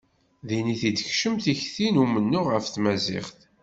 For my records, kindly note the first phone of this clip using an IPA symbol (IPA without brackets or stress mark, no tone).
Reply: ð